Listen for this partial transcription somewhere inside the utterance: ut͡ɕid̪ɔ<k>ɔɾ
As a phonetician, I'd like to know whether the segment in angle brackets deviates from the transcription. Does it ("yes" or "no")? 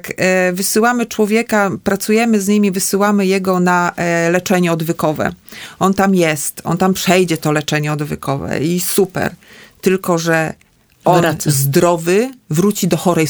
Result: yes